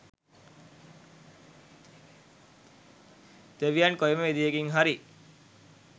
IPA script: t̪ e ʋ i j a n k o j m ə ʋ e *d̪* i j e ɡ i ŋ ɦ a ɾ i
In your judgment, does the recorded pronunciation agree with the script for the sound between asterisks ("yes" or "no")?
yes